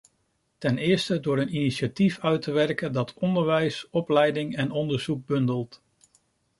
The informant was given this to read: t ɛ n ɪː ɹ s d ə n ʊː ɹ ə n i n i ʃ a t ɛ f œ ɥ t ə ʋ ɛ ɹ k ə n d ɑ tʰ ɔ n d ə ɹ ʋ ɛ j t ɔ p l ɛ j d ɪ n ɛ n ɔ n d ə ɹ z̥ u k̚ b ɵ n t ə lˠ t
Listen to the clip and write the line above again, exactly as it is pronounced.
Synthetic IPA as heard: t ɛ n ɪː ɹ s t ə d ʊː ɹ ə n i n i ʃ a t i f œ ɥ t ə ʋ ɛ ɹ k ə n d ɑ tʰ ɔ n d ə ɹ ʋ ɛ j s ɔ p l ɛ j d ɪ ŋ ɛ n ɔ n d ə ɹ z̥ u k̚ b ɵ n d ə lˠ t